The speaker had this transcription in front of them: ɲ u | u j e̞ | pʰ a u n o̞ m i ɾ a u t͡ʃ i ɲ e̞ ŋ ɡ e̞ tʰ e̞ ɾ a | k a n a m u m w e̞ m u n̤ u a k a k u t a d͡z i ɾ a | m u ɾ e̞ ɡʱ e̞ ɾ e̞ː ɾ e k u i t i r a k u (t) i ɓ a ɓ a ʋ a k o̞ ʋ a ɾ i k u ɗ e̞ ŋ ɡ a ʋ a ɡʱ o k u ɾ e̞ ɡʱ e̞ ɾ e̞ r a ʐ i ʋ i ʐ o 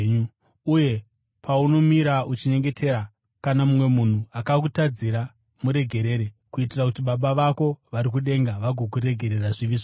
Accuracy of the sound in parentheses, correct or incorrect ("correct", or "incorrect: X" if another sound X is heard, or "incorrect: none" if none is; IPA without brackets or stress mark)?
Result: correct